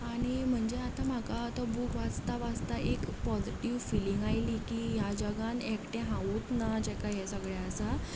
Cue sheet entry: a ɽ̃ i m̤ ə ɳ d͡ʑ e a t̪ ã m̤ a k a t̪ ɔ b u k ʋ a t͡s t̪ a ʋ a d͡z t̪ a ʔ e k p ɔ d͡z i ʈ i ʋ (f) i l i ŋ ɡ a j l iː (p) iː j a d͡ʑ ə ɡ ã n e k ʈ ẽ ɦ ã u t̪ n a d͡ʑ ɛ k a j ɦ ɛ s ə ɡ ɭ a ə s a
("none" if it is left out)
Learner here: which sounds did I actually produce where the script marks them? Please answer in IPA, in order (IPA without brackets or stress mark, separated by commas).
f, k